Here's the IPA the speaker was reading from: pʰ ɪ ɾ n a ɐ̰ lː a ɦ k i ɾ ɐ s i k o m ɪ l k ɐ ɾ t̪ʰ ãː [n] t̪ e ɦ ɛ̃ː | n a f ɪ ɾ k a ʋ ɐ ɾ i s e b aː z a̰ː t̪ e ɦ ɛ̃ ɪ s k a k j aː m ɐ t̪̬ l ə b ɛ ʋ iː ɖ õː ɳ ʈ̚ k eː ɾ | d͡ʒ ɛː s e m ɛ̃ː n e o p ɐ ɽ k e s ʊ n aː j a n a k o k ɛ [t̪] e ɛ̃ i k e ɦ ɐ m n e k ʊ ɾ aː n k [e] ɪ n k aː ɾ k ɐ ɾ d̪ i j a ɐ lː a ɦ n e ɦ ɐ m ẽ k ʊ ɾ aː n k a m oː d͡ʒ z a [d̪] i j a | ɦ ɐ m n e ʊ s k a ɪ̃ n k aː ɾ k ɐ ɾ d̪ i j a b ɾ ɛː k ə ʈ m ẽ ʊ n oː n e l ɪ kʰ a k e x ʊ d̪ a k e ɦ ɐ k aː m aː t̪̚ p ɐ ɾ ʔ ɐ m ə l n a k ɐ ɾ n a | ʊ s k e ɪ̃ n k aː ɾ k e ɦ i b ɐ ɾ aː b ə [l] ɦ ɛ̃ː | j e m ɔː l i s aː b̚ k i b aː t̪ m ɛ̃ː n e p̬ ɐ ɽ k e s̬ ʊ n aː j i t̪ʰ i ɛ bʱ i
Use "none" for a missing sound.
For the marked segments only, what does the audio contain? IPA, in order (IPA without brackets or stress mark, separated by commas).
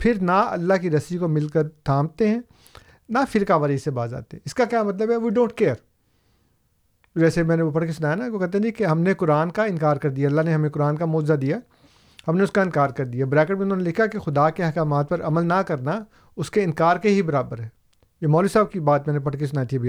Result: m, t̪, a, d̪, ɾ